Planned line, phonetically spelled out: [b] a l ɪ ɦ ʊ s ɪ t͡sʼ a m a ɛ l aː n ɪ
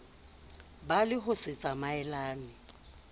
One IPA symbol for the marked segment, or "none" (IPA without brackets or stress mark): b